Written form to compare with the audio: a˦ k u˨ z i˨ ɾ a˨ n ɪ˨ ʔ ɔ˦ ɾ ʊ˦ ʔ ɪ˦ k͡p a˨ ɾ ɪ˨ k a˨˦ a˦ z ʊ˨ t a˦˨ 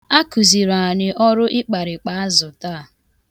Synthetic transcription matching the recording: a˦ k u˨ z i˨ ɾ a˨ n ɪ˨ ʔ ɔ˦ ɾ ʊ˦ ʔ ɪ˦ k͡p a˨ ɾ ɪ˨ k͡p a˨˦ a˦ z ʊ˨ t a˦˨